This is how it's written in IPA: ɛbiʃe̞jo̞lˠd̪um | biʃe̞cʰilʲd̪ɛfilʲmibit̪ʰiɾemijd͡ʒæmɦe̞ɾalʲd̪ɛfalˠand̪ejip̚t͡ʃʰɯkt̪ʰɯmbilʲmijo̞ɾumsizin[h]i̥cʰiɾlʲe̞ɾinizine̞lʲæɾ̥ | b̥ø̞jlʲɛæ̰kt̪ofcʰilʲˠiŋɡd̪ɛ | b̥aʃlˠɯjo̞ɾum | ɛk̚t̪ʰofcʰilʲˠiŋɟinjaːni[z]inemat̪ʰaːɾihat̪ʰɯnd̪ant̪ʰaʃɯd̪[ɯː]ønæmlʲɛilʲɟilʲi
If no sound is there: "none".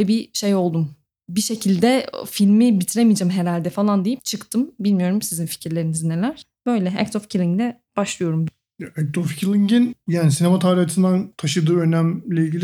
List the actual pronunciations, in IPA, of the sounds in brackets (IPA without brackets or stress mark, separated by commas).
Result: f, s, ɯː